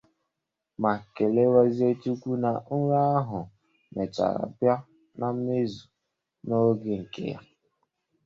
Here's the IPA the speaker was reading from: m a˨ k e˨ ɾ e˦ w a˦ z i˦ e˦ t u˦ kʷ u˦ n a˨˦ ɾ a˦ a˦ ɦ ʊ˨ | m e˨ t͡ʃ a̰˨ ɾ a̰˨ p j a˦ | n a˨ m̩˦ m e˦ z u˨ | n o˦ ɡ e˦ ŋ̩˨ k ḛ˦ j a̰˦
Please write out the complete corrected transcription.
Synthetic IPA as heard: m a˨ k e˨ l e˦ w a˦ z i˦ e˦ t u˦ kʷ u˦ n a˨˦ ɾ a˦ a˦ ɦ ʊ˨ | m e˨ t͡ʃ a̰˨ ɾ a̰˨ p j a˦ | n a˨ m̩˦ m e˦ z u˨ | n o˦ ɡ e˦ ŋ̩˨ k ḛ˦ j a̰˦